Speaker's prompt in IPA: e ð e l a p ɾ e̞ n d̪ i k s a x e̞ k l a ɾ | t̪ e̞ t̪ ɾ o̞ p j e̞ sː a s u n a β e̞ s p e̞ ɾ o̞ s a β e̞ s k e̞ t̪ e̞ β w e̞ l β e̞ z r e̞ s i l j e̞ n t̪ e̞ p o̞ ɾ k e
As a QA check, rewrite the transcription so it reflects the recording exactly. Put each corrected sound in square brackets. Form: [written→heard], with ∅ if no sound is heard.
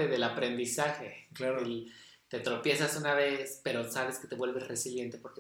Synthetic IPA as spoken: e ð e l a p ɾ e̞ n d̪ i [k→∅] s a x e̞ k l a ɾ | t̪ e̞ t̪ ɾ o̞ p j e̞ [sː→s] a s u n a β e̞ s p e̞ ɾ o̞ s a β e̞ s k e̞ t̪ e̞ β w e̞ l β e̞ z r e̞ s i l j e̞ n t̪ e̞ p o̞ ɾ k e